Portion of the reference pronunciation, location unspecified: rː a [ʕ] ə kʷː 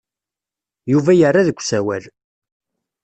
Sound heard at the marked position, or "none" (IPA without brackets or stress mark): ð